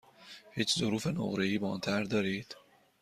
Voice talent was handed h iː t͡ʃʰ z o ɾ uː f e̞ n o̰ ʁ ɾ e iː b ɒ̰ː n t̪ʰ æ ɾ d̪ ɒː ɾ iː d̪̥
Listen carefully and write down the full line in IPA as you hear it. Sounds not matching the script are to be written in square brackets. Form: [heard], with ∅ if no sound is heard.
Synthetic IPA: h iː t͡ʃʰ z o ɾ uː f e̞ n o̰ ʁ ɾ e iː b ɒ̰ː n t̪ʰ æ ɾ d̪ ɒː ɾ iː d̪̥